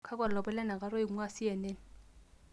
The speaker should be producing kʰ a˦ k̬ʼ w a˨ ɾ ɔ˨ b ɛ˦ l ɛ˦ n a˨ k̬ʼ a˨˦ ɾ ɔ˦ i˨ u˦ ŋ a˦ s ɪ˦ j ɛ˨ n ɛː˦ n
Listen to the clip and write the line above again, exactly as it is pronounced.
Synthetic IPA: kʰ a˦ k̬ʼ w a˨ l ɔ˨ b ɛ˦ l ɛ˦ n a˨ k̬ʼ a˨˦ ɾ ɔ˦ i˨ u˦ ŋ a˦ s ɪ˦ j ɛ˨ n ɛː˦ n